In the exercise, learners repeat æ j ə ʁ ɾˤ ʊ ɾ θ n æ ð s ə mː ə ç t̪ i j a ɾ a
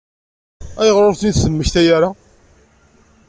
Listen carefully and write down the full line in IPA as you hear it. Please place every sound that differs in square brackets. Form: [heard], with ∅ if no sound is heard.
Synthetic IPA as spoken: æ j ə ʁ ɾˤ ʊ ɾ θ n [i] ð s ə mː ə ç t̪ [æ] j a ɾ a